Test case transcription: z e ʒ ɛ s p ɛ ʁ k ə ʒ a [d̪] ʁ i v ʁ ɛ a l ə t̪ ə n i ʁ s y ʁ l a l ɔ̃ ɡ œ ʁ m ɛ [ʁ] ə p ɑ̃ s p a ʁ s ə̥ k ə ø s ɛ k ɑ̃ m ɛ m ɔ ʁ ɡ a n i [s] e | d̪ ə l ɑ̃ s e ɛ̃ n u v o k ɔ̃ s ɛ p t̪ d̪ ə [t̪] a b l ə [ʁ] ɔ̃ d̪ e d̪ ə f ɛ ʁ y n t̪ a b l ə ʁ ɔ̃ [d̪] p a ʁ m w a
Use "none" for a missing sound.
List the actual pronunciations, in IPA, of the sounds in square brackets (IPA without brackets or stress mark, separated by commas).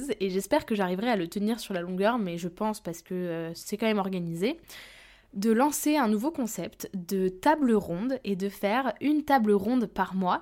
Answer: none, ʒ, z, t̪, ʁ, d̪